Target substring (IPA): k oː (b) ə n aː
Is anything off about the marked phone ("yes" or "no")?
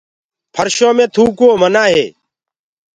yes